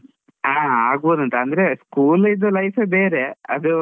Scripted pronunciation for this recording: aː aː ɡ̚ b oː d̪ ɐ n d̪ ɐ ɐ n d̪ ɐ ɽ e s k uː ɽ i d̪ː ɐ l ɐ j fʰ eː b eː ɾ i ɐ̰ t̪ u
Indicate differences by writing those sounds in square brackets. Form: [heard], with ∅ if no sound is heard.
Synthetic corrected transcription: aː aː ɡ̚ b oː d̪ ɐ n [t̪] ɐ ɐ n d̪ ɐ [ɾ] e s k uː [l] i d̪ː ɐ l ɐ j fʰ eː b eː ɾ [e] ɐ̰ [d̪] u